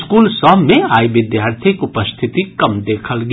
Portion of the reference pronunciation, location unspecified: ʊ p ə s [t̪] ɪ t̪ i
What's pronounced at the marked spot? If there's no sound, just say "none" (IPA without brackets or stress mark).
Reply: t̪ʰ